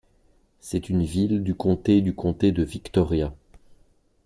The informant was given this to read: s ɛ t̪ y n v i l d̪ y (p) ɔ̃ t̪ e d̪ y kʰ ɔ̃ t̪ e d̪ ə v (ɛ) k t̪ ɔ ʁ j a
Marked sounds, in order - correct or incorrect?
incorrect: k, incorrect: i

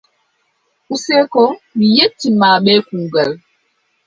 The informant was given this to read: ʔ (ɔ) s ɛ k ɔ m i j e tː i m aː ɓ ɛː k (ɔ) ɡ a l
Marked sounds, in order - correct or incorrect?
incorrect: u, incorrect: u

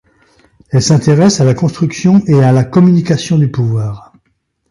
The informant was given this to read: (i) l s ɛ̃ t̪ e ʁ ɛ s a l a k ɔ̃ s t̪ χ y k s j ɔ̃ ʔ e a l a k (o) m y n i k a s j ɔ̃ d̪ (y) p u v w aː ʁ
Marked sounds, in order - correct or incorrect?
incorrect: ɛ, incorrect: ɔ, correct

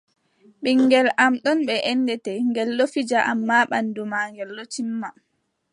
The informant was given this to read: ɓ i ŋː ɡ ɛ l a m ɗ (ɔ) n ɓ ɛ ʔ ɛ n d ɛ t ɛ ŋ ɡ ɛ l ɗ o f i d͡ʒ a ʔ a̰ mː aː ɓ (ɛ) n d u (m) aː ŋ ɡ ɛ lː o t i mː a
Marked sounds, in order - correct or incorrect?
correct, incorrect: a, correct

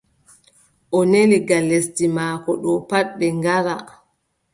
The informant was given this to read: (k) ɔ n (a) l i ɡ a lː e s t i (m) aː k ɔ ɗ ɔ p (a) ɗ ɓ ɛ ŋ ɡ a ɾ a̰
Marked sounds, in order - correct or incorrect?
incorrect: ʔ, incorrect: e, correct, correct

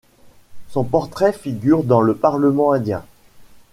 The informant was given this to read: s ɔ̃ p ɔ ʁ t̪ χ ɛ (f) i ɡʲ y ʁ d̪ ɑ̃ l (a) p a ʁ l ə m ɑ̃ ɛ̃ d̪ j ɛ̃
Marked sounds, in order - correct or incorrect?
correct, incorrect: ə

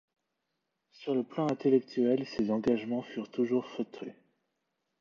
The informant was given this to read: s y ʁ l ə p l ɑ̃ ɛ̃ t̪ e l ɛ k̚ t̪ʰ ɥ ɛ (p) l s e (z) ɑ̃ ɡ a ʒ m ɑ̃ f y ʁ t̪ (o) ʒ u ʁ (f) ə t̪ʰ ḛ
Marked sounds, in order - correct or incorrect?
incorrect: none, correct, incorrect: u, correct

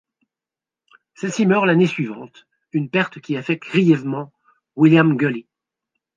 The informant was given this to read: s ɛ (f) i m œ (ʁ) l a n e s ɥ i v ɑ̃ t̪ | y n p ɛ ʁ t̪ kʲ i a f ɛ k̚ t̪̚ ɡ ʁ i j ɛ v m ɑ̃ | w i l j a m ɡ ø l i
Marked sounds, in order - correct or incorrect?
incorrect: s, correct

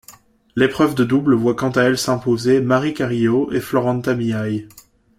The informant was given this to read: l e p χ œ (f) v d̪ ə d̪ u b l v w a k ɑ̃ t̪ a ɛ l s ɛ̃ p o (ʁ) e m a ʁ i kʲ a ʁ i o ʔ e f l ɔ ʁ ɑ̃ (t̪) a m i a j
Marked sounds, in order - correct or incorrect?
incorrect: none, incorrect: z, correct

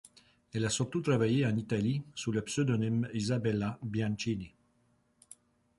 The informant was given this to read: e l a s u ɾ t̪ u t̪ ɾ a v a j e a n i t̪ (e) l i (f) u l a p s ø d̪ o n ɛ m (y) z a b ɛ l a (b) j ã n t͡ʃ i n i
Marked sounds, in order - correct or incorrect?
incorrect: a, incorrect: s, incorrect: i, correct

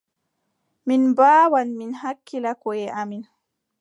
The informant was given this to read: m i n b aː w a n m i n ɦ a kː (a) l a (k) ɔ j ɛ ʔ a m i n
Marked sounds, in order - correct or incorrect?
incorrect: i, correct

